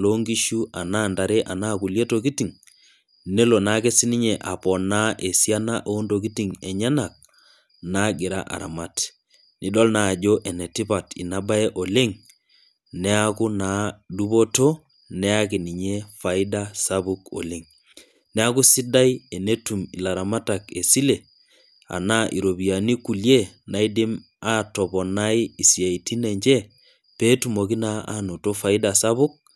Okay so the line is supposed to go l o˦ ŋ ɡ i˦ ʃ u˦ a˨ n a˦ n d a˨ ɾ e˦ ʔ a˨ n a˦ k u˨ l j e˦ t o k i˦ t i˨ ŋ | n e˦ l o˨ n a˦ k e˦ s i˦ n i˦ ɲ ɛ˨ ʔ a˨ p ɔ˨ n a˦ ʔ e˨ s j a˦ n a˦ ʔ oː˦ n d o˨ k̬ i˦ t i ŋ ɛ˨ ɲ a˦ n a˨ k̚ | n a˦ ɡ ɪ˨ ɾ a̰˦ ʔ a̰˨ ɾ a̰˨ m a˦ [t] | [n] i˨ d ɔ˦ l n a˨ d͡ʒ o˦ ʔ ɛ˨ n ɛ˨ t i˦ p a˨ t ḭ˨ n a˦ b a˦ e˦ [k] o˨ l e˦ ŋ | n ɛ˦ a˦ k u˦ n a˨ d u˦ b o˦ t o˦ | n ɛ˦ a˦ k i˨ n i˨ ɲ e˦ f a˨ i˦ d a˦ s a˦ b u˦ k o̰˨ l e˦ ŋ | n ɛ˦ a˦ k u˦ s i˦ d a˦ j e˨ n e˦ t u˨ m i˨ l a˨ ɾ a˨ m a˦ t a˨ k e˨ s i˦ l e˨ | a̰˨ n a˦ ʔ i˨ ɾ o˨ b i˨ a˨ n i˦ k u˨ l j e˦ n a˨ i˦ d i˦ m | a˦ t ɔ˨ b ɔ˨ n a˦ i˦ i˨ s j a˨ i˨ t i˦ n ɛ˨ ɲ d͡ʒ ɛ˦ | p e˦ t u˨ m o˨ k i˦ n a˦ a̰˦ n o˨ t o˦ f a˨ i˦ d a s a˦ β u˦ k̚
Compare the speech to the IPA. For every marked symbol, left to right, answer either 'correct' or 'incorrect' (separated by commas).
correct, correct, incorrect